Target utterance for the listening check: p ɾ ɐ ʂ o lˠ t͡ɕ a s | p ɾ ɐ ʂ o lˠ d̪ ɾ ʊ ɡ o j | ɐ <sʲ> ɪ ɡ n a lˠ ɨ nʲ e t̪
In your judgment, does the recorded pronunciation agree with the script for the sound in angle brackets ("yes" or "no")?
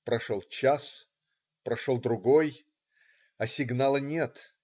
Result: yes